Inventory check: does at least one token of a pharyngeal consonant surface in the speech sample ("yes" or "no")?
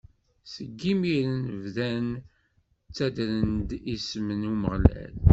no